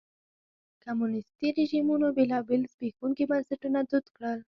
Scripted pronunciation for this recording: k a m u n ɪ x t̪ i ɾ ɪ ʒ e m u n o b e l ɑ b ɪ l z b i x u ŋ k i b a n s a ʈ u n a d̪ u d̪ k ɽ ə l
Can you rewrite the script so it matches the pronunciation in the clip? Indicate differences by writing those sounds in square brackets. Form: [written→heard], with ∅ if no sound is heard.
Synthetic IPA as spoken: k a m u n ɪ [x→s] t̪ i ɾ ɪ ʒ [e→i] m u n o b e l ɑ b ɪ l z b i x u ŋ k i b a n s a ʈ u n a d̪ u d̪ k ɽ ə l